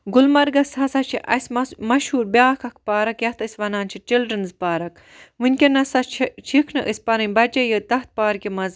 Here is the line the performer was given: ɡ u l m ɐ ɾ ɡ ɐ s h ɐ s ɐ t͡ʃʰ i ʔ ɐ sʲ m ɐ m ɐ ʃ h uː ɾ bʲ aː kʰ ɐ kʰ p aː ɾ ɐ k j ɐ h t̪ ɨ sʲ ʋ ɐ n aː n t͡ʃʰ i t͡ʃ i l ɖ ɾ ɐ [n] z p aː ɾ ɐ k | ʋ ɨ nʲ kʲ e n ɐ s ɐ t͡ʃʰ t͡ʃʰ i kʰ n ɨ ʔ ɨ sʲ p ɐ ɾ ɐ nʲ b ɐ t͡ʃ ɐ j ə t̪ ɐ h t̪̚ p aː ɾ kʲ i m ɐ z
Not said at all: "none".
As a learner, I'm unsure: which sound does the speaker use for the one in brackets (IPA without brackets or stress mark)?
n